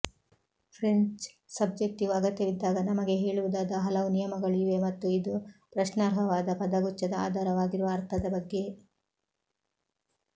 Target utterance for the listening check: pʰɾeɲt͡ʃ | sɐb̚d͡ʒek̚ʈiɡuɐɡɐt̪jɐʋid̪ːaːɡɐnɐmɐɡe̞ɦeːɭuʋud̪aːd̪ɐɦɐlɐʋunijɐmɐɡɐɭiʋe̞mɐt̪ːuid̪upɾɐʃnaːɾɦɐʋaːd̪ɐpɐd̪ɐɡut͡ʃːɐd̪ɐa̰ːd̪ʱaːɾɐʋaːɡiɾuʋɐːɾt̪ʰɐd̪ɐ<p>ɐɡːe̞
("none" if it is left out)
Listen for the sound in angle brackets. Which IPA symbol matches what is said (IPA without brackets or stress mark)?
b